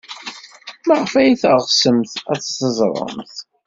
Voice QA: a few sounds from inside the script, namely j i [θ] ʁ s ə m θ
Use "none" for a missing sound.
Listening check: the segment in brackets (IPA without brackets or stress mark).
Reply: θ